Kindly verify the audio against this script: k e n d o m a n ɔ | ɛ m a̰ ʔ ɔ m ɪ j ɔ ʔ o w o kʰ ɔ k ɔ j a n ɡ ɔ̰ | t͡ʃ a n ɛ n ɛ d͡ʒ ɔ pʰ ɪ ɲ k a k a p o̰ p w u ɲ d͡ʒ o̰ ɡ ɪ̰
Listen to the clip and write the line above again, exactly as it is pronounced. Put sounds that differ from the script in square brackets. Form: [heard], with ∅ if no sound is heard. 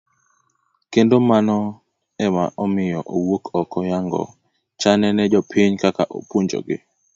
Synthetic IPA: k e n d o m a n ɔ | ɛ m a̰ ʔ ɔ m ɪ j ɔ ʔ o w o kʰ ɔ k ɔ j a [ŋ] ɡ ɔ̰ | t͡ʃ a n ɛ n ɛ d͡ʒ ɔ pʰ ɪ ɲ k a k a [ʔ] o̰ p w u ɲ d͡ʒ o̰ ɡ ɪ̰